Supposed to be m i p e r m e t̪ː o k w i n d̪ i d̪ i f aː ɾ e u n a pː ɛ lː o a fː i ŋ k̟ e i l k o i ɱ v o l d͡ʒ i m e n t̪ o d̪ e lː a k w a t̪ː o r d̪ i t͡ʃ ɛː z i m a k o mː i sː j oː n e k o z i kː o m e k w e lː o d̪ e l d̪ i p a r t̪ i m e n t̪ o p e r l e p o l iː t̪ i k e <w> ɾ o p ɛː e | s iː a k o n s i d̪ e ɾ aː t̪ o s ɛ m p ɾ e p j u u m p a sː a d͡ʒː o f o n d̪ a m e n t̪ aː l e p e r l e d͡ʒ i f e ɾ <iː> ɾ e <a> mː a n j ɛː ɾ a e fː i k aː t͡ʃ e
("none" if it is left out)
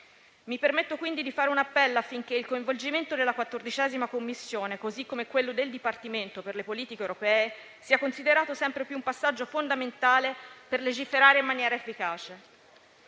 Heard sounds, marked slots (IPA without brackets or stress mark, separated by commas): w, aː, i